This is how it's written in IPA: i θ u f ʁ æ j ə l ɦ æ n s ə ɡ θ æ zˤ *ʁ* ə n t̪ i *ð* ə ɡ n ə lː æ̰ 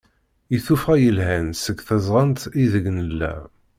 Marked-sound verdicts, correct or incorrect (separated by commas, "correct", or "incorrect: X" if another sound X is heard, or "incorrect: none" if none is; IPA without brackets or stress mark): correct, correct